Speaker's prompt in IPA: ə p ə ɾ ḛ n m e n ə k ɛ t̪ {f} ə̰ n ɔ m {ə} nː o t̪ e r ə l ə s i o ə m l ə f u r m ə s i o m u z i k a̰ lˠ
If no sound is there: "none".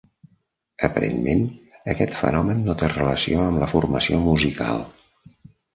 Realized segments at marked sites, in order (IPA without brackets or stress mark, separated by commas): f, ə